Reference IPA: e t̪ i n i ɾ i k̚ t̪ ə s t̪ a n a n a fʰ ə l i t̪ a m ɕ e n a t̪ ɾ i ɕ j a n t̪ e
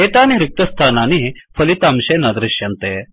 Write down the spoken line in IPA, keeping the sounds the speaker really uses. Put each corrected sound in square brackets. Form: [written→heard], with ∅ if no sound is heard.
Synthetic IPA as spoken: e t̪ [i→a] n i ɾ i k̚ t̪ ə s [t̪→t̪ʰ] a n a n [a→i] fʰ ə l i t̪ a m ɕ e n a [t̪→d̪] ɾ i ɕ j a n t̪ e

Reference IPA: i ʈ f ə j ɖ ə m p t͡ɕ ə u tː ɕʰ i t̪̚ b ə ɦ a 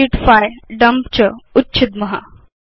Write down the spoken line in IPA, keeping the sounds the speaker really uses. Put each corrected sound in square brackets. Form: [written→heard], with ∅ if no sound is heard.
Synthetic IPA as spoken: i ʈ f [ə→a] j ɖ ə m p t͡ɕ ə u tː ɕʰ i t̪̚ [b→m] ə ɦ a

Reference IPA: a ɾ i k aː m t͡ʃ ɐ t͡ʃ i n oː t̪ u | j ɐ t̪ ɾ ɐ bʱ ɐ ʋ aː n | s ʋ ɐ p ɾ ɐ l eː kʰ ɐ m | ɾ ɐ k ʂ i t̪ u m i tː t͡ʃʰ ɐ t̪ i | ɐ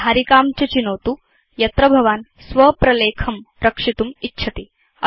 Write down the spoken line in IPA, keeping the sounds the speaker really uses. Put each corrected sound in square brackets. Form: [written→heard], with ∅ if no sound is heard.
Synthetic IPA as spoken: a ɾ i k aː m t͡ʃ ɐ t͡ʃ i n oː t̪ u | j ɐ t̪ ɾ ɐ bʱ ɐ ʋ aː n | s ʋ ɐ p ɾ ɐ l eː kʰ ɐ m | ɾ ɐ k ʂ i t̪ u m i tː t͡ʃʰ ɐ t̪ i | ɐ

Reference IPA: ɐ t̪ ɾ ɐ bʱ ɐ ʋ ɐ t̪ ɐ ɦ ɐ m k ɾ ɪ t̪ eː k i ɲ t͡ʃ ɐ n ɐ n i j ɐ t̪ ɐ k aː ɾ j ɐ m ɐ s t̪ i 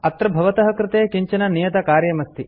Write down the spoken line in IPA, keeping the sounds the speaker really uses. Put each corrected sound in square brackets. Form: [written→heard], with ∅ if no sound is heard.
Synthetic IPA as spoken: ɐ t̪ ɾ ɐ bʱ ɐ ʋ ɐ t̪ ɐ ɦ ɐ [m→∅] k ɾ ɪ t̪ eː k i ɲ t͡ʃ ɐ n ɐ n i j ɐ t̪ ɐ k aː ɾ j ɐ m ɐ s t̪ i

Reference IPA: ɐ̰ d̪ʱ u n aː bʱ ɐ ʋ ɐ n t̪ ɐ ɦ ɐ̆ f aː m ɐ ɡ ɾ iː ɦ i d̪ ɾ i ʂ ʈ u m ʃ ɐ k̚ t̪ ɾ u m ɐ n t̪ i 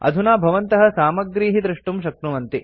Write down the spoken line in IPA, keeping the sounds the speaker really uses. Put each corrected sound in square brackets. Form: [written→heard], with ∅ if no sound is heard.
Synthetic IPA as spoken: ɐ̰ d̪ʱ u n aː bʱ ɐ ʋ ɐ n t̪ ɐ ɦ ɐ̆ [f→s] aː m ɐ ɡ ɾ iː ɦ i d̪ ɾ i ʂ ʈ u m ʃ ɐ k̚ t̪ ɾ u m ɐ n t̪ i

